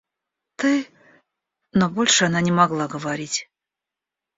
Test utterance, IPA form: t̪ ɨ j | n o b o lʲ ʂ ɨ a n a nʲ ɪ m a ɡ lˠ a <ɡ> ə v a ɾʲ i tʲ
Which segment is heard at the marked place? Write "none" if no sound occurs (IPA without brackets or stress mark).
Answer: ɡ